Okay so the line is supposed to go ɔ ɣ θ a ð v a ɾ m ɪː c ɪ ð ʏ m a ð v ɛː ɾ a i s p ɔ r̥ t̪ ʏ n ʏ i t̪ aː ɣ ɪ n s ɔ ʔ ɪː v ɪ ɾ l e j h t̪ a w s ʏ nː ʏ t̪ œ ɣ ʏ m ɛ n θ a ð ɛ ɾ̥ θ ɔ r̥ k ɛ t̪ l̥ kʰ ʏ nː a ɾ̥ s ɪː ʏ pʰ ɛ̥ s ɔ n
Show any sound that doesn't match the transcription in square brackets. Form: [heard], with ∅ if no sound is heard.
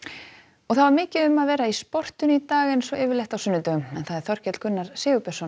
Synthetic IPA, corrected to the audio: ɔ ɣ θ a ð v a ɾ m ɪː c ɪ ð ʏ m a ð v ɛː ɾ a i s p ɔ r̥ t̪ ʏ n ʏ i t̪ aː ɣ ɪ n s ɔ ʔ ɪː v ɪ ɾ l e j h t̪ a w s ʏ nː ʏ t̪ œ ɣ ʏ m ɛ n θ a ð ɛ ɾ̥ θ ɔ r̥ [c] ɛ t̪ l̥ kʰ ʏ nː a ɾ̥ s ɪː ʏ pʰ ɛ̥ s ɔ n